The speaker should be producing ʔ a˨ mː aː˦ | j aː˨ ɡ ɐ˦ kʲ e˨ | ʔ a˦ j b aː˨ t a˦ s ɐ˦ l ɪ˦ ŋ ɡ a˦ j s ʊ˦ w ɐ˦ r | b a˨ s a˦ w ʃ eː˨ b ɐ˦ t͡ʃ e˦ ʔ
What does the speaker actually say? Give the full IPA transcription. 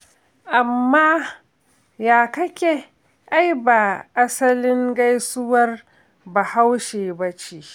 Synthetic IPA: ʔ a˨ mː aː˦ | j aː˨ k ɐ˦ kʲ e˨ | ʔ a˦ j b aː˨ ʔ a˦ s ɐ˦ l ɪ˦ ŋ ɡ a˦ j s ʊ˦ w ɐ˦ r | b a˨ h a˦ w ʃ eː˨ b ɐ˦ t͡ʃ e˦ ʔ